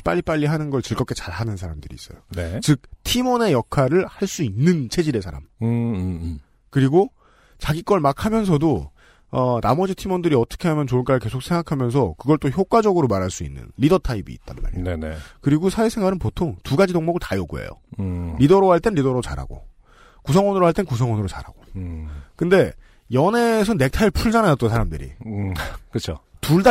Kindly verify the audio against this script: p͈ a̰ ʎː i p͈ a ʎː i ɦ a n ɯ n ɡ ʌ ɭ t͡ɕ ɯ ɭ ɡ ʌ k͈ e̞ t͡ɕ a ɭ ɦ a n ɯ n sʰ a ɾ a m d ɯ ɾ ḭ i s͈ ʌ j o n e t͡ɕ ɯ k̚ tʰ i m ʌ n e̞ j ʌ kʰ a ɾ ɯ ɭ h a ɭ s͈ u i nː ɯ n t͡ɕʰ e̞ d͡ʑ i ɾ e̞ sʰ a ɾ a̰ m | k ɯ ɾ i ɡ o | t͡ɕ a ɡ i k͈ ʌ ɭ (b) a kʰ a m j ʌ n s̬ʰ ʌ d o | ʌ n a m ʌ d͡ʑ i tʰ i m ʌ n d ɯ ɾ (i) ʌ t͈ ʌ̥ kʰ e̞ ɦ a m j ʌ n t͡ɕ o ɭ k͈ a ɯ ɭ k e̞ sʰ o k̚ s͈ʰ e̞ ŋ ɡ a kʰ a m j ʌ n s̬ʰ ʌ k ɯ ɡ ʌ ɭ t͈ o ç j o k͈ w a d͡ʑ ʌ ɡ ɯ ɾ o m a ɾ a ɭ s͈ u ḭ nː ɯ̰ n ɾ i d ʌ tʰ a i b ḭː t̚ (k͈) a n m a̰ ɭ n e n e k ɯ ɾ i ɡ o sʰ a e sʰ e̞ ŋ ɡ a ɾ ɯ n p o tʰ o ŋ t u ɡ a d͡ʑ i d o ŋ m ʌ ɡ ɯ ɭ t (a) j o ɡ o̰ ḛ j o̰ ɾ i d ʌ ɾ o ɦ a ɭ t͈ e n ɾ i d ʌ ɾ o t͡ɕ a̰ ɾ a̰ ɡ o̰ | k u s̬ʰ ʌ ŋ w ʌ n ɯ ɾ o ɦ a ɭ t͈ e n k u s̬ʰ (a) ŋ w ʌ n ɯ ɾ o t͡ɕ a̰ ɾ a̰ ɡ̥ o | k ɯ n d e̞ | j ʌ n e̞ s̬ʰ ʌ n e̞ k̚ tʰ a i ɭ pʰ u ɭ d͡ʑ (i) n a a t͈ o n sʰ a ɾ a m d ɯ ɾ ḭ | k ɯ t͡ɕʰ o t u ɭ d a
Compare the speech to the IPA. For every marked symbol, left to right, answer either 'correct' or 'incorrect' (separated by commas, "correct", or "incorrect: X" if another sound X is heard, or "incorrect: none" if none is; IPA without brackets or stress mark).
incorrect: m, correct, incorrect: t͈, correct, incorrect: ʌ, incorrect: a